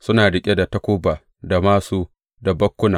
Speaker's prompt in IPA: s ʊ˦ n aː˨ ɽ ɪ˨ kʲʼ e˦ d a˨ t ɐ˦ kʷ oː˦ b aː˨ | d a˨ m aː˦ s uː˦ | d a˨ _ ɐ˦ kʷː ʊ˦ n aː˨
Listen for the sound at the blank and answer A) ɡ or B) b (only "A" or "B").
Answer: B